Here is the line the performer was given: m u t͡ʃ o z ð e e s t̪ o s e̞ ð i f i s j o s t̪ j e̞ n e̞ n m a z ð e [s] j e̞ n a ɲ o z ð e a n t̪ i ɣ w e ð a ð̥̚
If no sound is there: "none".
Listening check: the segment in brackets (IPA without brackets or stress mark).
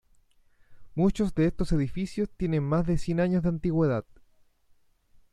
s